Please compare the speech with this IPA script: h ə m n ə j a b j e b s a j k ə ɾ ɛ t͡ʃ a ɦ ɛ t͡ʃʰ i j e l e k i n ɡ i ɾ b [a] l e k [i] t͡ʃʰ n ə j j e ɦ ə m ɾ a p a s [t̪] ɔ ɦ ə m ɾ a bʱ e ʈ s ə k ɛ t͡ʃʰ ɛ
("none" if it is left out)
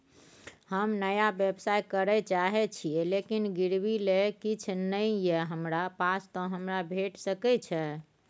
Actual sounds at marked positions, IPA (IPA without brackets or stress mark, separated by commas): i, i, t̪